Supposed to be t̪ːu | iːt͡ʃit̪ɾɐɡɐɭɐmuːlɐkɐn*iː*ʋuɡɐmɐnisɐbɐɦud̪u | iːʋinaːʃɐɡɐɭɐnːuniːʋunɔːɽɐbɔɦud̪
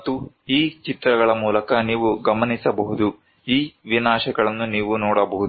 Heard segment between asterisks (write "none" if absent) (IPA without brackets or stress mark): iː